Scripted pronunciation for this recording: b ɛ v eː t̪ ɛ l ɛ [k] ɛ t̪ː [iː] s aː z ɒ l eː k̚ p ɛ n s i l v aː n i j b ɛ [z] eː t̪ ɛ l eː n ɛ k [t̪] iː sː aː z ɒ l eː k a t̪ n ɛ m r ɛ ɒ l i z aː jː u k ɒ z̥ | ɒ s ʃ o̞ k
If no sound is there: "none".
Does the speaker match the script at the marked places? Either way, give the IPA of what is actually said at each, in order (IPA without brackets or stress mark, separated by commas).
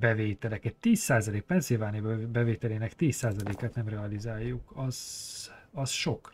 k, iː, v, t̪